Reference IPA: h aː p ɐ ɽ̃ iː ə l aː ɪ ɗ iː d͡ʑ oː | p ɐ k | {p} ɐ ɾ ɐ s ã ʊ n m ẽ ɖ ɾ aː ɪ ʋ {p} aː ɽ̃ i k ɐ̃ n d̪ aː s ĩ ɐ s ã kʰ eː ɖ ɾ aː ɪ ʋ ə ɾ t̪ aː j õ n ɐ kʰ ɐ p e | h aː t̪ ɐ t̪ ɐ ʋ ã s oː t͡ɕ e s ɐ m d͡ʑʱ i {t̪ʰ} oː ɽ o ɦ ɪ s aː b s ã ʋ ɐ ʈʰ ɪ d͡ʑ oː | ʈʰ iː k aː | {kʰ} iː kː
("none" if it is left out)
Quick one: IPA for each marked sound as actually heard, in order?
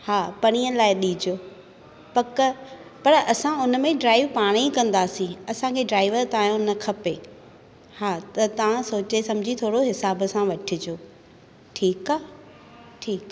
p, p, t̪ʰ, ʈʰ

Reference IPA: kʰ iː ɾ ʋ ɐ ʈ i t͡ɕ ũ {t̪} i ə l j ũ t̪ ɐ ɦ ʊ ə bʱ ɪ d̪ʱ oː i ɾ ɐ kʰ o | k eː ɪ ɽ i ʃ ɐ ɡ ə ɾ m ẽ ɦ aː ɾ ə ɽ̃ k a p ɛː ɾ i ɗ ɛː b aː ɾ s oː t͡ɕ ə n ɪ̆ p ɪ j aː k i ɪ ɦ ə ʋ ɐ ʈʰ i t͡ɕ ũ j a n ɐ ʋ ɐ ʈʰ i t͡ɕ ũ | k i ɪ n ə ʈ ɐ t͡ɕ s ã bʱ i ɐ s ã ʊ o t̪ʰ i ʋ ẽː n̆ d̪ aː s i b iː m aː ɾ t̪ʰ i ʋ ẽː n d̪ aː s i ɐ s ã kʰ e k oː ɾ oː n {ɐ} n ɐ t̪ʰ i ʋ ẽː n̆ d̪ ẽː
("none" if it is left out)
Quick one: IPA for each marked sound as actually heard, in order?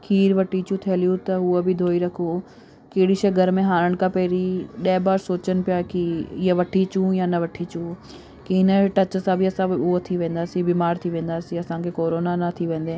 t̪ʰ, a

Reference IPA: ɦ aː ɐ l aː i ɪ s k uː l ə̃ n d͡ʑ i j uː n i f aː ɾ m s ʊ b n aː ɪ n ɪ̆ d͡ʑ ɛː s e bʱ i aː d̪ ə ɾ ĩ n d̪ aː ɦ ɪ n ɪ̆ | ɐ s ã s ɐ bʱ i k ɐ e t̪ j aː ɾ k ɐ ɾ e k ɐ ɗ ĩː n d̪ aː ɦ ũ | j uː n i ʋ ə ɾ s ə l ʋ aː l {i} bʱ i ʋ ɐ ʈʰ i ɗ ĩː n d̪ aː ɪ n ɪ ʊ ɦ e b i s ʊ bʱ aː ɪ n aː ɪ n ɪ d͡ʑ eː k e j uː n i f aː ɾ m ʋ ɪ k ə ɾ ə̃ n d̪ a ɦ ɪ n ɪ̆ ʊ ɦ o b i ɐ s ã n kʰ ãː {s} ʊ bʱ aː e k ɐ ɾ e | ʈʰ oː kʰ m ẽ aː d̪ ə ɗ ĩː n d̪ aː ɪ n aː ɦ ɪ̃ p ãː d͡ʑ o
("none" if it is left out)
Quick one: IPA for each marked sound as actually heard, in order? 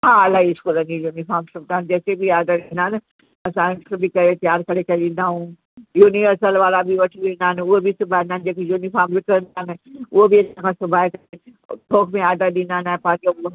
a, s

